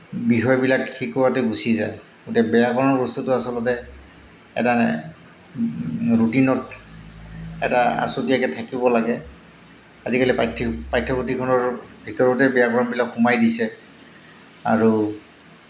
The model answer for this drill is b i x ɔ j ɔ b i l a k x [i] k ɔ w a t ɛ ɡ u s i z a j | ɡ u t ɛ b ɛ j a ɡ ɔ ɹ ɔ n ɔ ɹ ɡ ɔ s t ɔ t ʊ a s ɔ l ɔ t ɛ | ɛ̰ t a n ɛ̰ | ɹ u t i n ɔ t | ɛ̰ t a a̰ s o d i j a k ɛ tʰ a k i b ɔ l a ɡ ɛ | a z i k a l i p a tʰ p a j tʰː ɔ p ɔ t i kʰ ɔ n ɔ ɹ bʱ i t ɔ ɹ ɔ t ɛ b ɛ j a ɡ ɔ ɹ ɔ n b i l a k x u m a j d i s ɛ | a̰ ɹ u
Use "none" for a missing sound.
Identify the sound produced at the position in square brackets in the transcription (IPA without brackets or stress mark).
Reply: i